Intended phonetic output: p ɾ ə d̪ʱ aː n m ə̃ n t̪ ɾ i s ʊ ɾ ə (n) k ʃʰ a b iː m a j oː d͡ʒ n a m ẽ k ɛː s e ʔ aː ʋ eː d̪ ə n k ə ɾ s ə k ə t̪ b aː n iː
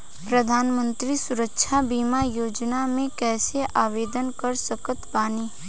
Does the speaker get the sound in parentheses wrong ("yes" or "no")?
yes